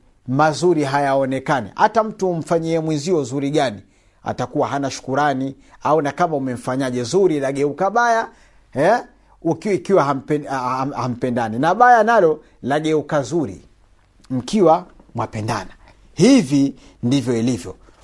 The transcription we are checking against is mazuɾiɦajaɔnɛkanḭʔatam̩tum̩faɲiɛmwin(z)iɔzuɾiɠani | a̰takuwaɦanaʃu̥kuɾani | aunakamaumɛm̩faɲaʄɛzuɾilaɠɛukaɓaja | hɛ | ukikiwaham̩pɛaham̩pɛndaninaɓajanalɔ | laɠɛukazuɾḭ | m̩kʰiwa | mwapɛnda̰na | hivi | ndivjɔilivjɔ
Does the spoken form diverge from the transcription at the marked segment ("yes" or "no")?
no